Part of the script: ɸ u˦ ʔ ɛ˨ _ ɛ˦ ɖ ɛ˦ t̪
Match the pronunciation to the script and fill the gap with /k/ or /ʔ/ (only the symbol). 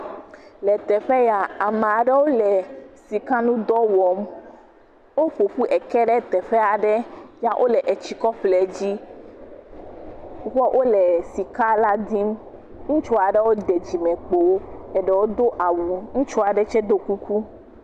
k